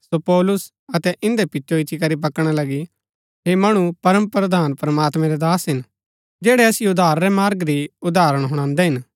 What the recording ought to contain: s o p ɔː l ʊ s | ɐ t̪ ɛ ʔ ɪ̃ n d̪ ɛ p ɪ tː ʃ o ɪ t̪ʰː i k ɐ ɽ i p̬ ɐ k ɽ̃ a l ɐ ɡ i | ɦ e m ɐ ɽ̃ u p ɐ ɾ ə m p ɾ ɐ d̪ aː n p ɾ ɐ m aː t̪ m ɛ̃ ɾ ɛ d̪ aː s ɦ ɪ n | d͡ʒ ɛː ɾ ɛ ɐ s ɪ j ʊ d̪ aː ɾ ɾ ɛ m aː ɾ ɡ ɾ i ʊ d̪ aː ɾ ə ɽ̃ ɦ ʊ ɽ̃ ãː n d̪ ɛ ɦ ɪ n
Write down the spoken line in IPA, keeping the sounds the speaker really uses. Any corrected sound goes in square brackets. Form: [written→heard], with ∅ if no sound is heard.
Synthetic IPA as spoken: s o p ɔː l ʊ s | ɐ t̪ ɛ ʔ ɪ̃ n d̪ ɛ p ɪ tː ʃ o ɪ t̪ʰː i k ɐ [ɽ→ɾ] i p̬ ɐ k ɽ̃ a l ɐ ɡ i | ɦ e m ɐ ɽ̃ u p ɐ ɾ ə m p ɾ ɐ d̪ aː n p ɾ ɐ m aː t̪ m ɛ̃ ɾ ɛ d̪ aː s ɦ ɪ n | d͡ʒ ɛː [ɾ→ɽ] ɛ ɐ s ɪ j ʊ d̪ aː ɾ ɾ ɛ m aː ɾ ɡ ɾ i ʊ d̪ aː ɾ ə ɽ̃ ɦ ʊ ɽ̃ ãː n d̪ ɛ ɦ ɪ n

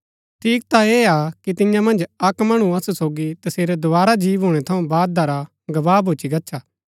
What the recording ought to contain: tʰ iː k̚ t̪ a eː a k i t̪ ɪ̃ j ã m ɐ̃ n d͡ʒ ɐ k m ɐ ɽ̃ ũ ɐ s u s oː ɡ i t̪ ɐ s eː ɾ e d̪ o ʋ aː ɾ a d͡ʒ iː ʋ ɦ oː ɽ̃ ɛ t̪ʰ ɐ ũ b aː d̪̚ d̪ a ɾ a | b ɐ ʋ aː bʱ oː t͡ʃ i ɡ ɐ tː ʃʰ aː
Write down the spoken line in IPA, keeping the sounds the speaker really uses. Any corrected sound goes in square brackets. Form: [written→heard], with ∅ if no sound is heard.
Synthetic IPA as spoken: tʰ iː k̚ t̪ a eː a k i t̪ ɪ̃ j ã m ɐ̃ n d͡ʒ ɐ k m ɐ ɽ̃ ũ ɐ s u s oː ɡ i t̪ ɐ s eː ɾ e d̪ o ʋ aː ɾ a d͡ʒ iː ʋ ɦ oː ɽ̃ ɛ t̪ʰ ɐ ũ b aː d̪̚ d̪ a ɾ a | [b→ɡ] ɐ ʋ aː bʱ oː t͡ʃ i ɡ ɐ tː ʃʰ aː

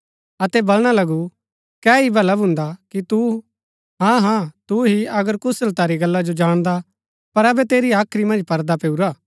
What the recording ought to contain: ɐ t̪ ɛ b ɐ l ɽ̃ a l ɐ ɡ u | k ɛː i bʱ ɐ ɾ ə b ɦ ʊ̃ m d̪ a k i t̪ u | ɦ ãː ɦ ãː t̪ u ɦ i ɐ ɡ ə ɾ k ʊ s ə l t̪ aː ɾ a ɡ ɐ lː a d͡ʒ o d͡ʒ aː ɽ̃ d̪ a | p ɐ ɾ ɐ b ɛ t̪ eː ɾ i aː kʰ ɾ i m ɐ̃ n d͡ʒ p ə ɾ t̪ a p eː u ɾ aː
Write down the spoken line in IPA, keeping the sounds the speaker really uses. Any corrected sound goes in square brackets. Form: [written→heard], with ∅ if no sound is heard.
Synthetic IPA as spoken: ɐ t̪ ɛ b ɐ l ɽ̃ a l ɐ ɡ u | k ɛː i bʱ ɐ [ɾ→l] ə b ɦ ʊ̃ [m→n] d̪ a k i t̪ u | ɦ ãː ɦ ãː t̪ u ɦ i ɐ ɡ ə ɾ k ʊ s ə l t̪ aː ɾ [a→i] ɡ ɐ lː a d͡ʒ o d͡ʒ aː ɽ̃ d̪ a | p ɐ ɾ ɐ b ɛ t̪ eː ɾ i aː kʰ ɾ i m ɐ̃ n d͡ʒ p [ə→ɐ] ɾ [t̪→d̪] a p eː u ɾ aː

